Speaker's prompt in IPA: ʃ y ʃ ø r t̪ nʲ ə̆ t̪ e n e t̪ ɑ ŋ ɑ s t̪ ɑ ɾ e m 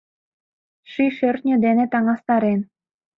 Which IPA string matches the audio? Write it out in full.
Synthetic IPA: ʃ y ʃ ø r t̪ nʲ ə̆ d̪ e n e t̪ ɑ ŋ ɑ s t̪ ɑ ɾ e n

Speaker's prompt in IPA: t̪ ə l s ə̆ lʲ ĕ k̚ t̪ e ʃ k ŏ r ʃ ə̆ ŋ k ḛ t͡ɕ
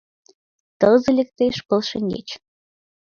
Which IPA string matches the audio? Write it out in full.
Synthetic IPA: t̪ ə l z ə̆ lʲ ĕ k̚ t̪ e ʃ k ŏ l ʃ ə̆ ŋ ɡ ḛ t͡ɕ

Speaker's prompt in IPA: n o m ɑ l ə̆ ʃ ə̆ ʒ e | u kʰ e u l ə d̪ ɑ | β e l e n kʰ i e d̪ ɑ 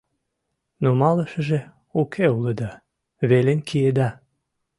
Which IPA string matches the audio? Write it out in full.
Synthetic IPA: n o m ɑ l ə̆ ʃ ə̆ ʒ e | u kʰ e u l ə d̪ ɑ | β e l e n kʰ i e d̪ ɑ

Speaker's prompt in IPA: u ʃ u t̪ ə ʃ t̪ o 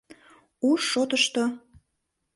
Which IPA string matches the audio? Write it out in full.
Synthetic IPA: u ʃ o t̪ ə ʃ t̪ o

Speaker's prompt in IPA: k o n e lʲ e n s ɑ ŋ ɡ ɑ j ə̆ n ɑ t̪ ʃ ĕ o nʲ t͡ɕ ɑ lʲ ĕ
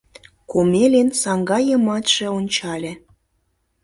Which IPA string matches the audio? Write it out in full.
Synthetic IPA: k o m e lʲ e n s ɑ ŋ ɡ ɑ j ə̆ m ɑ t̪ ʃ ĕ o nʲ t͡ɕ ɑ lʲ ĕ

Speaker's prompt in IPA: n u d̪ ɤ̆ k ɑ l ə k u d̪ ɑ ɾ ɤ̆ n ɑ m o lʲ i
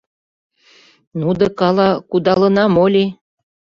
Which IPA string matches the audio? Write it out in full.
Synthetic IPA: n u d̪ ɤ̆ k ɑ l ɑ k u d̪ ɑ l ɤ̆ n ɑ m o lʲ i

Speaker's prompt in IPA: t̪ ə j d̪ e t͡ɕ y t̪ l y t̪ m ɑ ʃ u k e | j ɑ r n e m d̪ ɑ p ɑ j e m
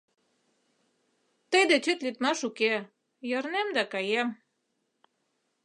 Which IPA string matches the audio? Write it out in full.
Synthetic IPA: t̪ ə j d̪ e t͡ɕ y t̪ l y t̪ m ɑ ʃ u k e | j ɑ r n e m d̪ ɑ k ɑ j e m

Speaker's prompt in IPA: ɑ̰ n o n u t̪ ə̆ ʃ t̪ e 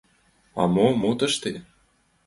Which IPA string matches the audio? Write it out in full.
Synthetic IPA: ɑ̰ m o m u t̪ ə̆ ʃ t̪ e

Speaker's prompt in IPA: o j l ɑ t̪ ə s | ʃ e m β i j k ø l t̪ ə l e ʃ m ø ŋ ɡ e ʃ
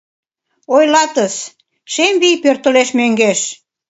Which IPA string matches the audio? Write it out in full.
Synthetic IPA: o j l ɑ t̪ ə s | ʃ e m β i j p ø r t̪ ə l e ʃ m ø ŋ ɡ e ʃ

